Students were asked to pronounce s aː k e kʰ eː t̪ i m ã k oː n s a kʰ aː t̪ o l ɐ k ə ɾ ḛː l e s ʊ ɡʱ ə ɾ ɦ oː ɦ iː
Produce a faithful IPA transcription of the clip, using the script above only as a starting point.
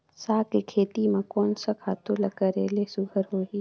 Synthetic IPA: s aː k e kʰ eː t̪ i m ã k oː n s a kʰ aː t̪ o l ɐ k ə ɾ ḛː l e s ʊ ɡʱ ə ɾ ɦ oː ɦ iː

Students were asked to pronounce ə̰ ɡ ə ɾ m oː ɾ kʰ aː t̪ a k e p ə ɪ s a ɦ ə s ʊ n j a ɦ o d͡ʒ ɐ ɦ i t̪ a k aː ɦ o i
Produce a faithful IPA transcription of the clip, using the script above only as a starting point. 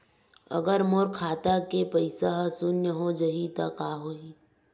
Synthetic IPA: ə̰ ɡ ə ɾ m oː ɾ kʰ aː t̪ a k e p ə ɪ s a ɦ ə s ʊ n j ə ɦ o d͡ʒ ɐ ɦ i t̪ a k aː ɦ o i

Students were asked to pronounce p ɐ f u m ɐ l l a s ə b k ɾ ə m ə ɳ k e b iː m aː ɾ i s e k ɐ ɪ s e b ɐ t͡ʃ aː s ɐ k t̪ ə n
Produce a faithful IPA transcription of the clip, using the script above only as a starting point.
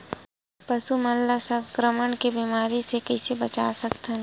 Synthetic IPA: p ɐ s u m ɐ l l a s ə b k ɾ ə m ə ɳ k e b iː m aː ɾ i s e k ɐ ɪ s e b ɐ t͡ʃ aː s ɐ k t̪ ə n

